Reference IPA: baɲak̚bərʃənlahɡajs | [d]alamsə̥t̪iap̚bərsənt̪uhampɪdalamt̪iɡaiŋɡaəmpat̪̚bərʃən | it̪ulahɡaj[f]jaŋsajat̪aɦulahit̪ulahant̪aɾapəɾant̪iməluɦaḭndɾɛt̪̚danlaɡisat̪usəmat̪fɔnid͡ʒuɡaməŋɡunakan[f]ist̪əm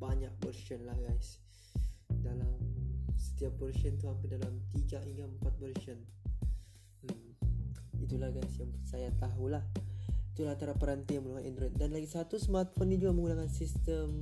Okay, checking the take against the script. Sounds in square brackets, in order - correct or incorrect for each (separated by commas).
correct, incorrect, incorrect